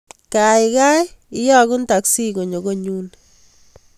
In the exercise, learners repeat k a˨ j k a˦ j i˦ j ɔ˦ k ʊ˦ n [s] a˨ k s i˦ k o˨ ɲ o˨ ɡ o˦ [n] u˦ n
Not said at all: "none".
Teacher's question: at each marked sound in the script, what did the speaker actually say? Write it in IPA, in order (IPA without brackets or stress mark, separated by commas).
t, ɲ